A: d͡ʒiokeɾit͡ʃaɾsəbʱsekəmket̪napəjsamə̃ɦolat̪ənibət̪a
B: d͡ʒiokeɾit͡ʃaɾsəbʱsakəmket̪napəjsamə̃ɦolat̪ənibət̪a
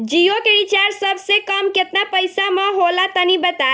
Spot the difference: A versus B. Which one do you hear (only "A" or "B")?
A